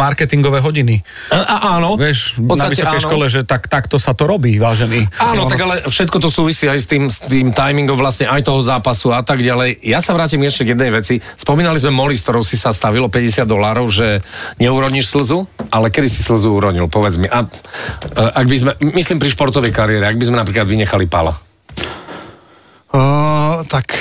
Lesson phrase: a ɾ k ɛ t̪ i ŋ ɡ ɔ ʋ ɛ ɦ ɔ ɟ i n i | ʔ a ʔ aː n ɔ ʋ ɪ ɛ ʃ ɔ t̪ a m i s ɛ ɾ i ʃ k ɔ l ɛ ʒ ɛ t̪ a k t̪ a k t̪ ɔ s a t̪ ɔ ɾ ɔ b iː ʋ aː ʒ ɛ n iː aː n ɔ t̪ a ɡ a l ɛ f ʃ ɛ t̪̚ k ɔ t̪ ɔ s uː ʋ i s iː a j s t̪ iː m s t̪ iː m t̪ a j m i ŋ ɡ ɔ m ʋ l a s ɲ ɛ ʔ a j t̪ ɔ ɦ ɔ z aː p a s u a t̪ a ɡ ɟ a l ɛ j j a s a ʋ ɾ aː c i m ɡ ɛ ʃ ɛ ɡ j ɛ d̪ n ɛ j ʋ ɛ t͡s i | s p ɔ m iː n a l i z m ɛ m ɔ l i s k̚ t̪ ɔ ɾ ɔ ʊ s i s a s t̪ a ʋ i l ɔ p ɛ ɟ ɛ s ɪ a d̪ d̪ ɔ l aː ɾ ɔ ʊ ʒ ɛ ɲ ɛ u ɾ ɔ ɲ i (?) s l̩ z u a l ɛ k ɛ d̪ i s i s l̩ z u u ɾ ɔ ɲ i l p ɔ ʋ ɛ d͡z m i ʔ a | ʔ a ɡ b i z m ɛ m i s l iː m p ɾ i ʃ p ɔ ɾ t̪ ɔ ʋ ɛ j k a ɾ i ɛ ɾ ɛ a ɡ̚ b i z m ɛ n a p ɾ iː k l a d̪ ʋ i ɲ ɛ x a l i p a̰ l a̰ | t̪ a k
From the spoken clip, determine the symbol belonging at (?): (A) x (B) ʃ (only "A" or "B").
B